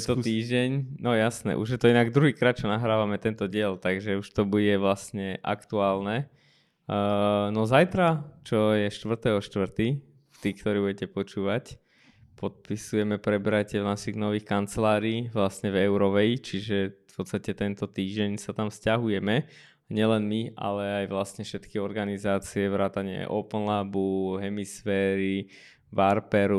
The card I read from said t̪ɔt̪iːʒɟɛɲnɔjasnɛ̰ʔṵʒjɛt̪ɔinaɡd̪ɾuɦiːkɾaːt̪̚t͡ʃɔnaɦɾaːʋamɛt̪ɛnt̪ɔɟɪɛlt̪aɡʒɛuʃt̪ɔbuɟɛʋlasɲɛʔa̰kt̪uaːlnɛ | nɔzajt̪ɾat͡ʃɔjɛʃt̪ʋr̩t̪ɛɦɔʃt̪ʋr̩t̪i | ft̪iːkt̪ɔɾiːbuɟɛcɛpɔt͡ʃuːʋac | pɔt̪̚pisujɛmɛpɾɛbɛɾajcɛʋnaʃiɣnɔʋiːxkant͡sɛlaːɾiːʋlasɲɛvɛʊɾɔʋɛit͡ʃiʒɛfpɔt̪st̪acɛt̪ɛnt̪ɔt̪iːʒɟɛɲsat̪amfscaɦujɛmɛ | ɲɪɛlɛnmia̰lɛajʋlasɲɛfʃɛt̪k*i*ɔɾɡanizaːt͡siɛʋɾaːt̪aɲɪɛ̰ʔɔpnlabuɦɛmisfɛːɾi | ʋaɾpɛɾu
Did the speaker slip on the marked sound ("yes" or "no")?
no